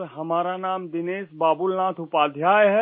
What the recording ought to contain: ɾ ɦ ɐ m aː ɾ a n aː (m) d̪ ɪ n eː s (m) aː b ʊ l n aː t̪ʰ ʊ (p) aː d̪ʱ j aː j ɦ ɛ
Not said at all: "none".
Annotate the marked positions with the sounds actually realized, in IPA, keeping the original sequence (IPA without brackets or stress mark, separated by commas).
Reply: m, b, p